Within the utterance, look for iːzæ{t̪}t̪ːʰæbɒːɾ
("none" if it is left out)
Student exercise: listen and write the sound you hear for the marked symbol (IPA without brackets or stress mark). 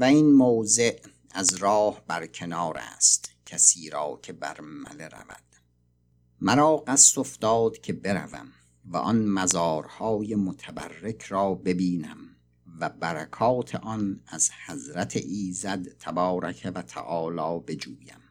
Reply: d̪